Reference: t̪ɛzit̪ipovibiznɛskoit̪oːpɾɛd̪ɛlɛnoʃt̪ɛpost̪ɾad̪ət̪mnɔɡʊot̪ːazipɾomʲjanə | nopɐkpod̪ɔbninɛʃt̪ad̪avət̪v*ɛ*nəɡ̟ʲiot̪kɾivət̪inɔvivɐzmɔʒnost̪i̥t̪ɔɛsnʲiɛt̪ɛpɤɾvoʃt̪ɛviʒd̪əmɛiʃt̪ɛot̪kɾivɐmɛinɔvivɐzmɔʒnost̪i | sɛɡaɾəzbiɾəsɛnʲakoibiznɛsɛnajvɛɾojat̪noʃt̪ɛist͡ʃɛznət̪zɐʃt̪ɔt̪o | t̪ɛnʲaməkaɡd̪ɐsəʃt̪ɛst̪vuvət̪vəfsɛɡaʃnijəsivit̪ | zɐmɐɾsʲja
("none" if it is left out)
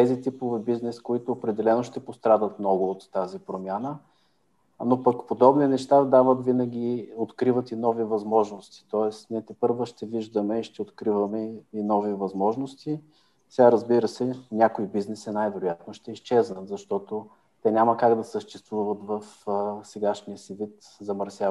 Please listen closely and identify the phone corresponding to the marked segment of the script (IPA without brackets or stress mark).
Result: i